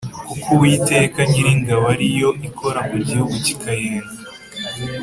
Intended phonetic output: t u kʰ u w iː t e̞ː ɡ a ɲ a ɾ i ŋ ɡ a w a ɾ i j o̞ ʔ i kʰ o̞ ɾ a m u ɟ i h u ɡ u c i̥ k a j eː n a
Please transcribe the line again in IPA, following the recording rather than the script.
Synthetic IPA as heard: k u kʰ u w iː t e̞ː k a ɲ i ɾ i ŋ ɡ a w a ɾ i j o̞ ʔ i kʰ o̞ ɾ a m u ɟ i h u ɡ u c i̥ k a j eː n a